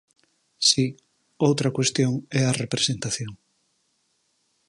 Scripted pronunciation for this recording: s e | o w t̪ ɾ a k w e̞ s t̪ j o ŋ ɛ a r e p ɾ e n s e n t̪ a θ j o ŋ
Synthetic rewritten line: s i | o w t̪ ɾ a k w e̞ s t̪ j o ŋ ɛ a r e p ɾ e s e n t̪ a θ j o ŋ